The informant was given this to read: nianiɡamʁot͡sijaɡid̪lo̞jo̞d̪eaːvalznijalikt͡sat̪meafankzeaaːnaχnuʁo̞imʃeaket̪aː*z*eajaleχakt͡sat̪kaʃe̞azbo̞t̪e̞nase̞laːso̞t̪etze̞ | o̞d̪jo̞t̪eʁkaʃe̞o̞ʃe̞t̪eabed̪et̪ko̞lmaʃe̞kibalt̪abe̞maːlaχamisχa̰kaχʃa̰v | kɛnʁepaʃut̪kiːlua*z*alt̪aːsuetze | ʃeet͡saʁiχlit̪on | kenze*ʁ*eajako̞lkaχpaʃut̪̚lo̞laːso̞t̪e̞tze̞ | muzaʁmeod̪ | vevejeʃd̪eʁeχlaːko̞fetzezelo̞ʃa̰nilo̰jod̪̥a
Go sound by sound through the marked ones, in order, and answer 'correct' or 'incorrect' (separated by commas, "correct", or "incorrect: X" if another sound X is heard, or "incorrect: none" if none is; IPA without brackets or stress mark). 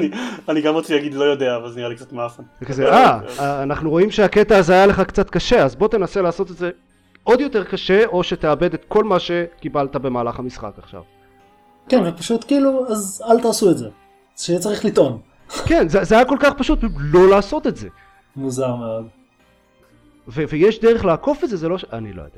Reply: correct, correct, incorrect: z